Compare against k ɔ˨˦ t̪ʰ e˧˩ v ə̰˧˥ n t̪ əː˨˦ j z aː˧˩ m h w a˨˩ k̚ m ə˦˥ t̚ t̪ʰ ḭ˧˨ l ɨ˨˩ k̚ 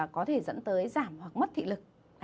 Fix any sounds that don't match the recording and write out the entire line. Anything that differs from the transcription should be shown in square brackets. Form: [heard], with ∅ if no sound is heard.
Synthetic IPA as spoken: k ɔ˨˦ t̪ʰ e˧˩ [z] ə̰˧˥ n t̪ əː˨˦ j z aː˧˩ m h w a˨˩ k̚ m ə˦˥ t̚ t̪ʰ ḭ˧˨ l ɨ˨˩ k̚